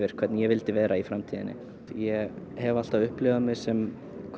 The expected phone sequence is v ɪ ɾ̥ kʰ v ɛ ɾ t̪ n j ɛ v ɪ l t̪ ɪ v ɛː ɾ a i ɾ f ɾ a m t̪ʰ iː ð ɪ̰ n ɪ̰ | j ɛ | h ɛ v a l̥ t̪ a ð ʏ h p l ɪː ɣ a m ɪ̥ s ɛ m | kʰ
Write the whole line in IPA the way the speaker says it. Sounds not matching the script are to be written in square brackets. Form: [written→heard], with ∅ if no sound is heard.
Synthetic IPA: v ɪ ɾ̥ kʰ v ɛ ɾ t̪ n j ɛ v ɪ l t̪ ɪ v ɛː ɾ a i [ɾ→∅] f ɾ a m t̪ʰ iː ð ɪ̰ n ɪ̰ | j ɛ | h ɛ v a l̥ t̪ a [ð→v] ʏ h p l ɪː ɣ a m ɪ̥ s ɛ m | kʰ